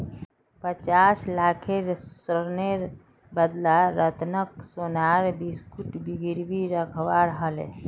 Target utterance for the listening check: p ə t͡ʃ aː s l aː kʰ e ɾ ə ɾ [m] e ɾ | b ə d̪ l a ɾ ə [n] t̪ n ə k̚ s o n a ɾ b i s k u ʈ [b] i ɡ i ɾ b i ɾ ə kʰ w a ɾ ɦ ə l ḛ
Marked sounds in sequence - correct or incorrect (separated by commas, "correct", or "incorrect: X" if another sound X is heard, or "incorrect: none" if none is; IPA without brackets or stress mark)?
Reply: incorrect: n, incorrect: none, correct